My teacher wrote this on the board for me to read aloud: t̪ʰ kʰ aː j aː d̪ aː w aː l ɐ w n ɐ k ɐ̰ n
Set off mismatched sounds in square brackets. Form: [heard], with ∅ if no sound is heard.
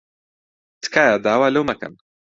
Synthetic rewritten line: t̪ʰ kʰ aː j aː d̪ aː w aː l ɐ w [m] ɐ k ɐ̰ n